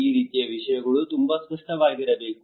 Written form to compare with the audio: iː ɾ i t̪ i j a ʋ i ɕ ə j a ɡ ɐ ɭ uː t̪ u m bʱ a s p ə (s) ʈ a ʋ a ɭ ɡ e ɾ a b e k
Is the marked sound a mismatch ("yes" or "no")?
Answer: yes